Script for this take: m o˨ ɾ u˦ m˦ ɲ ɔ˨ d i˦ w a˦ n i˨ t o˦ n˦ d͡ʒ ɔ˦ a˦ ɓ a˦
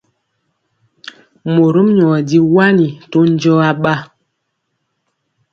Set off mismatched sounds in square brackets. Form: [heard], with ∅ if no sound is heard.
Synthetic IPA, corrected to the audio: m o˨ ɾ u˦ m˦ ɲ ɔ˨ d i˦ w a˦ n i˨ t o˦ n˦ d͡ʒ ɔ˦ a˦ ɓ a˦